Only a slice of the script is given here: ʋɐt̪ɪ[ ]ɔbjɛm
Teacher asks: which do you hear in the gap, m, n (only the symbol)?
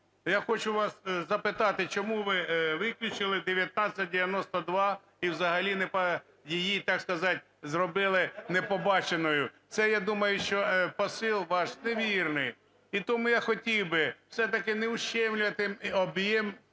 m